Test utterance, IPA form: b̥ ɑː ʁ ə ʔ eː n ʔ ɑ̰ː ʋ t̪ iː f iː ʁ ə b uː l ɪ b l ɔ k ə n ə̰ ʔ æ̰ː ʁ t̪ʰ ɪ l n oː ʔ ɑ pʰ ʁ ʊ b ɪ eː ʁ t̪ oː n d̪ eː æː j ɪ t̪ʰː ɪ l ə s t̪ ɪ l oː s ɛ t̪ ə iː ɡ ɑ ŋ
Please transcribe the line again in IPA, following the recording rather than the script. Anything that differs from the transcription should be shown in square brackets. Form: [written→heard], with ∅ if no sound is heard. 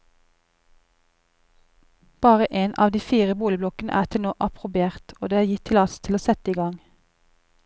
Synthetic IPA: b̥ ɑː ʁ ə ʔ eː n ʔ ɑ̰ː ʋ [t̪→d̪] iː f iː ʁ ə b uː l ɪ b l ɔ k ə n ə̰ ʔ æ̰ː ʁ t̪ʰ ɪ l n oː ʔ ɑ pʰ ʁ ʊ b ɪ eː ʁ t̪ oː [n→∅] d̪ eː æː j ɪ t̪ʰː ɪ l [ə→ɑ] s [t̪→t̪ʰ] ɪ l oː s ɛ t̪ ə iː ɡ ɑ ŋ